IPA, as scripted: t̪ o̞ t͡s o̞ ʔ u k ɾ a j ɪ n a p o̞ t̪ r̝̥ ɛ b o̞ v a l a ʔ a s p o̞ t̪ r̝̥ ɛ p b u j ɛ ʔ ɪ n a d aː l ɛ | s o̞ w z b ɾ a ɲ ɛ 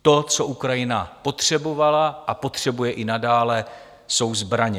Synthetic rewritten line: t̪ o̞ t͡s o̞ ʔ u k ɾ a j ɪ n a p o̞ t̪ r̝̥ ɛ b o̞ v a l a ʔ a p o̞ t̪ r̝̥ ɛ b u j ɛ ʔ ɪ n a d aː l ɛ | s o̞ w z b ɾ a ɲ ɛ